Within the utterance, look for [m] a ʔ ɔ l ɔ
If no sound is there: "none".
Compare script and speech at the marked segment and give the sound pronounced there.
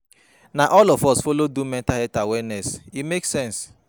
n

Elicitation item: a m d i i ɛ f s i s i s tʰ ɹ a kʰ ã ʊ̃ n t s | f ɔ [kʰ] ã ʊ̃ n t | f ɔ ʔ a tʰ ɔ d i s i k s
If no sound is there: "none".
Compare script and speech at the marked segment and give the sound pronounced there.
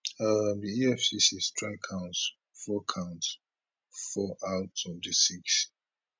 kʰ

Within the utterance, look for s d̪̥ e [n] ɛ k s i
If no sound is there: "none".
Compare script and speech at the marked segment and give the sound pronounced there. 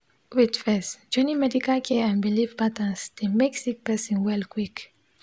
m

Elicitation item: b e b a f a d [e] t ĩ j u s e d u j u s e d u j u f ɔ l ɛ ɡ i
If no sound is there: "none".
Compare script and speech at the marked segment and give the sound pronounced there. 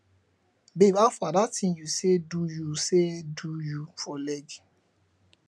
a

